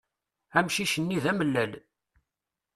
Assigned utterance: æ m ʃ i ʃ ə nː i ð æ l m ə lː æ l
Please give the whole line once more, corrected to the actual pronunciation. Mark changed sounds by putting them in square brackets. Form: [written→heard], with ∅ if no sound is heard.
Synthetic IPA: æ m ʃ i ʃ ə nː i ð æ [l→∅] m ə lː æ l